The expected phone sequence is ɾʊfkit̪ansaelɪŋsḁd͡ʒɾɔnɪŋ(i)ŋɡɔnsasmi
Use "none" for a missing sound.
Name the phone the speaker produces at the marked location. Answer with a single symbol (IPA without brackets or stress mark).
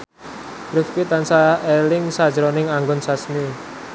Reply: a